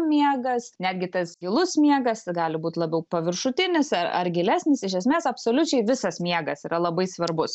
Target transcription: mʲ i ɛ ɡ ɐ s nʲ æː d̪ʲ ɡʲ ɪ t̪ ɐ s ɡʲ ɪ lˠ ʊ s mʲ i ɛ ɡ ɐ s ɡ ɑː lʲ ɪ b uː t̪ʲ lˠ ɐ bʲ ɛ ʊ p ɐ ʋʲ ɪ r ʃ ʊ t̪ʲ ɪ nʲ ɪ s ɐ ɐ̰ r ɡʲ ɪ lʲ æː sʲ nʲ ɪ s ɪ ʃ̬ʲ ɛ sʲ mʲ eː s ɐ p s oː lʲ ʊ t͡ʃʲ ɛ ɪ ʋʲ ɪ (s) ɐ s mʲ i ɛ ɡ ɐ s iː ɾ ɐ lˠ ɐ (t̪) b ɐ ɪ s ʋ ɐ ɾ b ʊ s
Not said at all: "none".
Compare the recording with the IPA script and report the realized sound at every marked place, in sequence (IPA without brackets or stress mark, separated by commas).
s, none